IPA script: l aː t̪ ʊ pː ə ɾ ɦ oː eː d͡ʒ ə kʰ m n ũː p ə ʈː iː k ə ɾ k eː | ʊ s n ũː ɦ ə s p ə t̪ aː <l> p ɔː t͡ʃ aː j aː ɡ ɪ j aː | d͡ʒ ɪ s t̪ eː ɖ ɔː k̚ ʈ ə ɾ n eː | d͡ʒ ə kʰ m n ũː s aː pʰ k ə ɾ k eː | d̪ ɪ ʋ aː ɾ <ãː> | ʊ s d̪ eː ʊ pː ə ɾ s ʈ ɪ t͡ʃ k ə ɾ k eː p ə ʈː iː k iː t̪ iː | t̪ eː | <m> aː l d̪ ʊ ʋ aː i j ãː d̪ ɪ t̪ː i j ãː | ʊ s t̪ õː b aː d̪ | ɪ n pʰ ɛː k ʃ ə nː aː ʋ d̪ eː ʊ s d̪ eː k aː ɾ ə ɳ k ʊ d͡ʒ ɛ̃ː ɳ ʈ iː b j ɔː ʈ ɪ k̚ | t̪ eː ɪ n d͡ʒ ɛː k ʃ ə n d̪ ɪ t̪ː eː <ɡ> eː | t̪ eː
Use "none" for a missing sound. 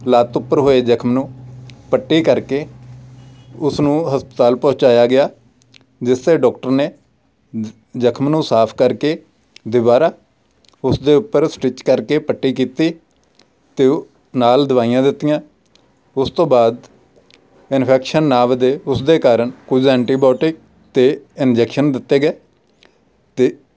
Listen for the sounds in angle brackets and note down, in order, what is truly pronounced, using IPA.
l, aː, n, ɡ

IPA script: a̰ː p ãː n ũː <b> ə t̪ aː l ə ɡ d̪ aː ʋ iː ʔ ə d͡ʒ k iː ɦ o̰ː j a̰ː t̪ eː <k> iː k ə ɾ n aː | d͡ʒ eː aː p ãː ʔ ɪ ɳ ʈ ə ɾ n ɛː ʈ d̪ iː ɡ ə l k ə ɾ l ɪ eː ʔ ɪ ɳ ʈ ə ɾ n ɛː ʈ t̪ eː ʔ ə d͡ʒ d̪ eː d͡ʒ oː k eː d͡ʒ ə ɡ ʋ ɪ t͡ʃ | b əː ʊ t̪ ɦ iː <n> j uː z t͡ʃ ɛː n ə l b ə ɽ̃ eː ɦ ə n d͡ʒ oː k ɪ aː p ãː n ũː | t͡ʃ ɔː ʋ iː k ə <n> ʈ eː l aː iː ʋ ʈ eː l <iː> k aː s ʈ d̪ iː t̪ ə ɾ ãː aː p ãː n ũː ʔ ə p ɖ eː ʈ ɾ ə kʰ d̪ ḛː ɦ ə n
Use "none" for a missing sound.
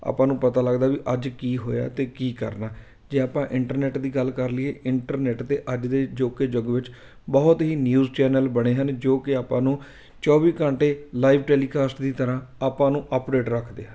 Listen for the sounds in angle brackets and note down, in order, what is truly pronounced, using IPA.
p, k, n, ɳ, iː

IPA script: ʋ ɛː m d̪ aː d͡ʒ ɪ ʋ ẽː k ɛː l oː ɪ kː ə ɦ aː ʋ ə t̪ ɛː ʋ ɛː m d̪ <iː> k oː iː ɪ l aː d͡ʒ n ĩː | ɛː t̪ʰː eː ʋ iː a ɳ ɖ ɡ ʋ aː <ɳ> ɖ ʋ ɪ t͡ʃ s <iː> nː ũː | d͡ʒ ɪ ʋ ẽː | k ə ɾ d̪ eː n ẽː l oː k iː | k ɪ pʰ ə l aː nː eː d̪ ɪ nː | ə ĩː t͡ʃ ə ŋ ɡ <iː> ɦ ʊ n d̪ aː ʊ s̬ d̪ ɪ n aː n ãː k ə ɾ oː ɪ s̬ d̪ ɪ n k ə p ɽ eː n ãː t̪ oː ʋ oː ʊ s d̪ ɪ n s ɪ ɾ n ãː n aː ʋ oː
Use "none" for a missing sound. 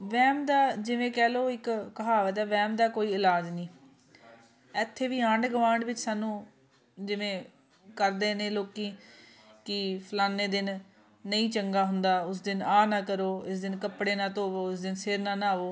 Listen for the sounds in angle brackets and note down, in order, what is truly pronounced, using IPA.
aː, ɳ, aː, aː

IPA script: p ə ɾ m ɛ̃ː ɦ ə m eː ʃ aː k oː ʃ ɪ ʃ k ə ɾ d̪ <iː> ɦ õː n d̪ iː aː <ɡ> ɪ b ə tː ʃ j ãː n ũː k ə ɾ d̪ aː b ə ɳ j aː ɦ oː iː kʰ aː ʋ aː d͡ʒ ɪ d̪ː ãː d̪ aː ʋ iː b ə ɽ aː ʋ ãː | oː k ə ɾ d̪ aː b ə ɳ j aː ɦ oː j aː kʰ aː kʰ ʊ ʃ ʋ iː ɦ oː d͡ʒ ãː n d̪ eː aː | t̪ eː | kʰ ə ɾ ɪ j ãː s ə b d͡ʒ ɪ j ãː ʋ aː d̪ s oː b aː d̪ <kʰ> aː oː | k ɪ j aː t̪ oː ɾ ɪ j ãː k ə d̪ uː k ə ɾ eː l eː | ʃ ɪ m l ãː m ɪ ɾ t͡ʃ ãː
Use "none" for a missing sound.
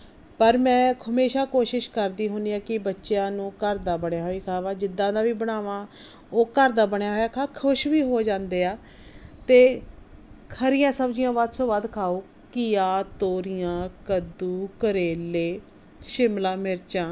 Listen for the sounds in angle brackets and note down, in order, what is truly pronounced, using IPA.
iː, k, kʰ

